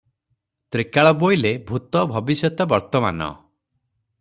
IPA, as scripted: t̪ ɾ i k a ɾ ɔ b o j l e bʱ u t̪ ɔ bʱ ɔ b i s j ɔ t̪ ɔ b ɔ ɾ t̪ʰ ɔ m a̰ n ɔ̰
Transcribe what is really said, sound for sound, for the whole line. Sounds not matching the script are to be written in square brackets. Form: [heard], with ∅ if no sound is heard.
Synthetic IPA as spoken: t̪ ɾ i k a [ɭ] ɔ b o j l e bʱ u t̪ ɔ bʱ ɔ b i s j ɔ t̪ ɔ b ɔ ɾ [t̪] ɔ m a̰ n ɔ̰